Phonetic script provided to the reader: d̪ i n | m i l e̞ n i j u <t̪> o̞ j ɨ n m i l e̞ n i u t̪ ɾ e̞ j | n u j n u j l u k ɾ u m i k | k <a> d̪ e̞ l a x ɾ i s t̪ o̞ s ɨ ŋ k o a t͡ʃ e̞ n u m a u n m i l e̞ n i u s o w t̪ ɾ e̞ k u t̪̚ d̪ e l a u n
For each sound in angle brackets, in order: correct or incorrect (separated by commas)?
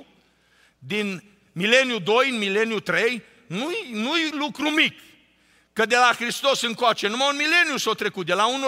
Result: incorrect, incorrect